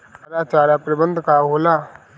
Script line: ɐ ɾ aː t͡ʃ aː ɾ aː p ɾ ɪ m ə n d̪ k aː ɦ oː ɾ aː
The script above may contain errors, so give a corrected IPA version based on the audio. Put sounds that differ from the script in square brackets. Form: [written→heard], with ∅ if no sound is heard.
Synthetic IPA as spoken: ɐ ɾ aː t͡ʃ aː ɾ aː p ɾ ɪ [m→b] ə n d̪ k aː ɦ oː [ɾ→l] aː